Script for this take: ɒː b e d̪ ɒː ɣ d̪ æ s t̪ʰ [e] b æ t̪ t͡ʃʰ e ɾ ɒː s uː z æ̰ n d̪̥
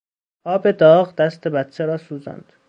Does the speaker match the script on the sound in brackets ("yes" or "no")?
yes